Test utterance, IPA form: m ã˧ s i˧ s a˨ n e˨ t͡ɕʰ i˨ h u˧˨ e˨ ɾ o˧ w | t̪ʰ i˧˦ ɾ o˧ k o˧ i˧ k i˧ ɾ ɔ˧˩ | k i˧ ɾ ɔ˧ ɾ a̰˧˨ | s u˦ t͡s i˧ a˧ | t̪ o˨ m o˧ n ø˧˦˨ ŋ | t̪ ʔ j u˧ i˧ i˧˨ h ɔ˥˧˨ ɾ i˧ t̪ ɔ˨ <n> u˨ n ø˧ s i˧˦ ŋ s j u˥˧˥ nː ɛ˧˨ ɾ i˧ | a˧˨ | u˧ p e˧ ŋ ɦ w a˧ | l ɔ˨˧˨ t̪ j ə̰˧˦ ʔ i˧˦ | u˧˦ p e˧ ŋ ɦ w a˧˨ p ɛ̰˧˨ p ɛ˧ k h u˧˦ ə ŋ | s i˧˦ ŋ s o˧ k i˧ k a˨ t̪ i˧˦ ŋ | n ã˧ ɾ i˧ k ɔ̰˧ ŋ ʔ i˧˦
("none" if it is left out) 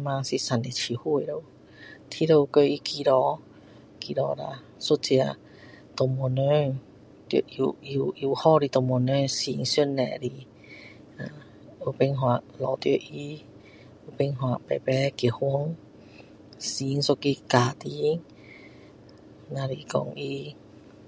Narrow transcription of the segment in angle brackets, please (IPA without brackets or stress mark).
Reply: m